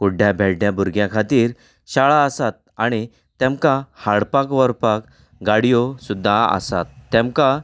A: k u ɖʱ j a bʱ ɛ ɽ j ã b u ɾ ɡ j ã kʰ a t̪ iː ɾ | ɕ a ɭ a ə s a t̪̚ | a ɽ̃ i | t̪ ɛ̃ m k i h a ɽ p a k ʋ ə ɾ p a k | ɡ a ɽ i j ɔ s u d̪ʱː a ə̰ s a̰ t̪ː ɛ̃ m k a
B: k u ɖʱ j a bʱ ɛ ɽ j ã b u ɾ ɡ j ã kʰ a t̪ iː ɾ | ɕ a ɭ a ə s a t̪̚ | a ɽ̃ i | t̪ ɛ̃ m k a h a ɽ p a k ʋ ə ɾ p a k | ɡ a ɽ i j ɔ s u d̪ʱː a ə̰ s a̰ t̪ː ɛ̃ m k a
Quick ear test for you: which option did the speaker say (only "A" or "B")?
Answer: B